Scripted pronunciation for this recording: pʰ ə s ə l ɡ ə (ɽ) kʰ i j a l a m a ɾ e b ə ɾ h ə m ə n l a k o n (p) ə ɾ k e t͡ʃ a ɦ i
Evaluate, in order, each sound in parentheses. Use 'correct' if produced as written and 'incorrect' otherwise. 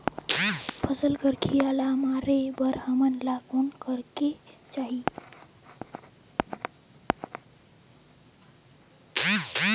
incorrect: ɾ, incorrect: k

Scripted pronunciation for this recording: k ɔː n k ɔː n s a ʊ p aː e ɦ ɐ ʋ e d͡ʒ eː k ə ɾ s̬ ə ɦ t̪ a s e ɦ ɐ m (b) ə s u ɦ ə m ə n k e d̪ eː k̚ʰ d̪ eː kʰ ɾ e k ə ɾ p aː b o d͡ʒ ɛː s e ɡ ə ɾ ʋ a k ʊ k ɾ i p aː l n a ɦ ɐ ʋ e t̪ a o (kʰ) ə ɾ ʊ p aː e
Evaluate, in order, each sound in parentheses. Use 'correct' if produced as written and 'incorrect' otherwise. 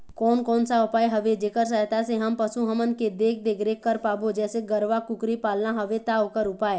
incorrect: p, incorrect: k

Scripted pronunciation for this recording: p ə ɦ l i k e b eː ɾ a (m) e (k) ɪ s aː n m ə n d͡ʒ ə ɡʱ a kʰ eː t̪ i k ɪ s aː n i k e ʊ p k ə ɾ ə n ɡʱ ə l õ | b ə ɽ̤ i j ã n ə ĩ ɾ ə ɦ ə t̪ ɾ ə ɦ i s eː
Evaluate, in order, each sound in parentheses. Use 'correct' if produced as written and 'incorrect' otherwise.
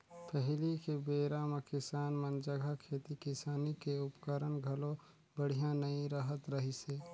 correct, correct

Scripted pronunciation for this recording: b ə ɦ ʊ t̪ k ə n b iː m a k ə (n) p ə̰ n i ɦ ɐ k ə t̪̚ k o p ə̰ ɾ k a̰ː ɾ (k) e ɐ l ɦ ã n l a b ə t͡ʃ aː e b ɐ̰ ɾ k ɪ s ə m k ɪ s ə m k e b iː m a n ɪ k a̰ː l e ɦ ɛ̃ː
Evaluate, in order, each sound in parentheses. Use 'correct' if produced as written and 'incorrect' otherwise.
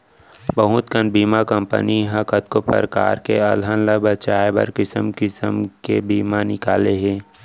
incorrect: m, correct

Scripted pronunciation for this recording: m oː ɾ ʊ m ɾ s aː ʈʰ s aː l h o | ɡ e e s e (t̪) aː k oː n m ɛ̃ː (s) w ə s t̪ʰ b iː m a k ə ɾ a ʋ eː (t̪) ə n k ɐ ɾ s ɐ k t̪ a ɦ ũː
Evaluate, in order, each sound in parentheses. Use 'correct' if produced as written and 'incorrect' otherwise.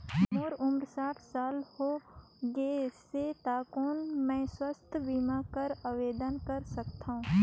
correct, correct, incorrect: d̪

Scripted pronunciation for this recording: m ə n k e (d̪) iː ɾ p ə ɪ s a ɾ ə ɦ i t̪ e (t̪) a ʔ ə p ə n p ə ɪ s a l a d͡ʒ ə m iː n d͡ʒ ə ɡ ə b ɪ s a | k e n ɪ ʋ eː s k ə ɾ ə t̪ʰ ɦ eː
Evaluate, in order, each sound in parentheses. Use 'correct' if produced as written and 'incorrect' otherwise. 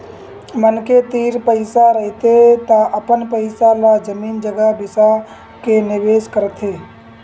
incorrect: t̪, correct

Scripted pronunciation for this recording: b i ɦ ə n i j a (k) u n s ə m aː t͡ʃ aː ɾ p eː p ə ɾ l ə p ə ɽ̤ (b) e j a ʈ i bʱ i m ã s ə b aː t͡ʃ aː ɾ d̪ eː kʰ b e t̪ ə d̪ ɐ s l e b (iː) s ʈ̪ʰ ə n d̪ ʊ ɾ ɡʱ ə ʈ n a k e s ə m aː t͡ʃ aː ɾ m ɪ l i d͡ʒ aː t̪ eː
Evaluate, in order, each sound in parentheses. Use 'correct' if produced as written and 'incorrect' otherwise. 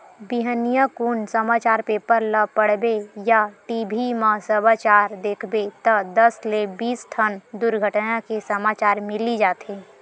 correct, correct, correct

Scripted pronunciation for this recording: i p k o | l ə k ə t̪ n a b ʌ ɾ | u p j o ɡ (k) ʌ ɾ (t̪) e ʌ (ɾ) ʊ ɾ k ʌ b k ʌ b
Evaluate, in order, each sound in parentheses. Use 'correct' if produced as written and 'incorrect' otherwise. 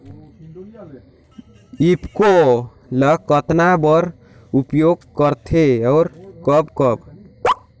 correct, incorrect: t̪ʰ, incorrect: none

